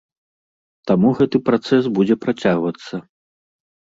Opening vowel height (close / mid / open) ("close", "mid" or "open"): open